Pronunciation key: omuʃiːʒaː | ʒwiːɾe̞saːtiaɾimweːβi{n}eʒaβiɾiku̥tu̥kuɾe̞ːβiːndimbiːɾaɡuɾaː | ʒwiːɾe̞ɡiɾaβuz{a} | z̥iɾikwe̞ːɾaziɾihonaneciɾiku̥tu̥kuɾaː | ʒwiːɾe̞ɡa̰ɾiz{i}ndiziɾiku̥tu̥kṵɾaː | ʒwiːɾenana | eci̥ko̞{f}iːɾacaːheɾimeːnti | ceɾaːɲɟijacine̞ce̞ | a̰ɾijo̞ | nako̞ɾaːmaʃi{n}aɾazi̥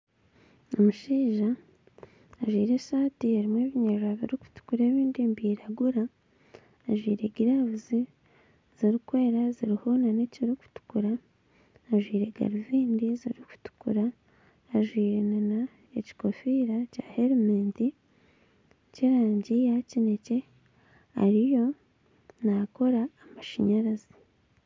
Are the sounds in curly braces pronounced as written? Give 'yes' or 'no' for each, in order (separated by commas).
no, no, no, yes, no